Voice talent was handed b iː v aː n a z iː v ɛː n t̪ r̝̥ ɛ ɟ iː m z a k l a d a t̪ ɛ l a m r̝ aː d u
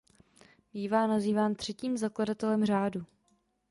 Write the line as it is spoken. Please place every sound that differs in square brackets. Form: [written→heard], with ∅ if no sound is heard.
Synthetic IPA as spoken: b iː v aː n a z iː v [ɛː→aː] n t̪ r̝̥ ɛ [ɟ→c] iː m z a k l a d a t̪ ɛ l [a→ɛ] m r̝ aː d u